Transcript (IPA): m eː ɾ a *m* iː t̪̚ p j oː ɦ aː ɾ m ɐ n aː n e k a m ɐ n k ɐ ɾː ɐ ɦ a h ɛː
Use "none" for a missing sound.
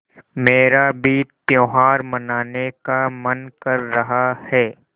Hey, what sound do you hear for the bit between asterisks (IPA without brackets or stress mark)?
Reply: b